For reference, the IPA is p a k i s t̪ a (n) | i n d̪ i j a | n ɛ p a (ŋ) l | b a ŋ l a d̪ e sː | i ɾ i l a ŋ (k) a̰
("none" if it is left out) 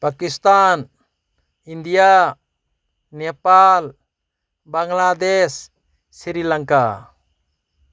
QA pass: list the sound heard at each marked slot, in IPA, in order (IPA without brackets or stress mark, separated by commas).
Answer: n, none, k